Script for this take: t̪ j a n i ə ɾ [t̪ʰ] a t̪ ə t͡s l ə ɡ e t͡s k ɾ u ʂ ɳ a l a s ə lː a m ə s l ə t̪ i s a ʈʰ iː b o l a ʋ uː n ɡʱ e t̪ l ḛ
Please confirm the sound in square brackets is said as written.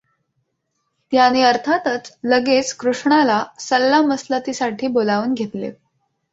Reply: yes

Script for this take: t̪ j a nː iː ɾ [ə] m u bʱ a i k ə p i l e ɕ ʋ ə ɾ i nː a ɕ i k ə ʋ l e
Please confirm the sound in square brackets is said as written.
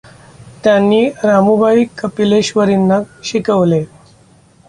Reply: no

